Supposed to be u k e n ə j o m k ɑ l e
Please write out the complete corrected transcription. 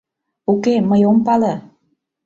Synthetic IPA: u k e m ə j o m p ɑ l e